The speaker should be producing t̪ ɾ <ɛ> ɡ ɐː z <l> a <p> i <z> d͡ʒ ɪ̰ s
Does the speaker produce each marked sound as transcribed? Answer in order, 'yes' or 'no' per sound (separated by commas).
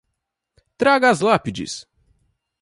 no, yes, yes, no